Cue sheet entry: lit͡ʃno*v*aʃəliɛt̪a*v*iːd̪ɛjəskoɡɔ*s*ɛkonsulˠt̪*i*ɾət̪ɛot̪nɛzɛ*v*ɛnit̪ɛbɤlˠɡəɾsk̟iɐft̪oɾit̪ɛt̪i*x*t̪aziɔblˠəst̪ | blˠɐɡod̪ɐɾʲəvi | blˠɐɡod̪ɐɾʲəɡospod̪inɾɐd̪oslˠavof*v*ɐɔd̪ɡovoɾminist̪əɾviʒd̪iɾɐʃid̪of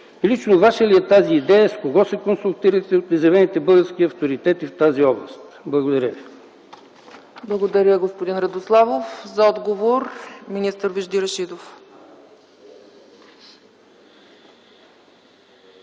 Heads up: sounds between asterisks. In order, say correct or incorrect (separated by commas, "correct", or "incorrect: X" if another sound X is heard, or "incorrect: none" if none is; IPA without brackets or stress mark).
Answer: correct, incorrect: z, correct, correct, correct, incorrect: f, incorrect: z